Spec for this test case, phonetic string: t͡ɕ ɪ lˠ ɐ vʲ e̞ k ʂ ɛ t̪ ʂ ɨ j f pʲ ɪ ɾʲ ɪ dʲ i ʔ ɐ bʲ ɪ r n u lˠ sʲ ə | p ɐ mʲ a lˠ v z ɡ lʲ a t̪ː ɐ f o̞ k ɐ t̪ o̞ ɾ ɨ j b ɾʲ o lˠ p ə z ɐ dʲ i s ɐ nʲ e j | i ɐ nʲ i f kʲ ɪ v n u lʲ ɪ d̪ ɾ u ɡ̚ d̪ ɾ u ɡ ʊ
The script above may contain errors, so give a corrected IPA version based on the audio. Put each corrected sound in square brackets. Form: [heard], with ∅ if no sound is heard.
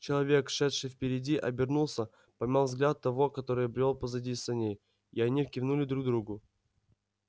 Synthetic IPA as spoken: t͡ɕ ɪ lˠ ɐ vʲ e̞ k ʂ ɛ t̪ ʂ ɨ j f pʲ ɪ ɾʲ ɪ dʲ i ʔ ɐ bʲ ɪ r n u lˠ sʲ ə | p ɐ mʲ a lˠ v z ɡ lʲ a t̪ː ɐ [v] o̞ k ɐ t̪ o̞ ɾ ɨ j b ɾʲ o lˠ p ə z ɐ dʲ i s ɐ nʲ e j | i ɐ nʲ i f kʲ ɪ v n u lʲ ɪ d̪ ɾ u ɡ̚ d̪ ɾ u ɡ ʊ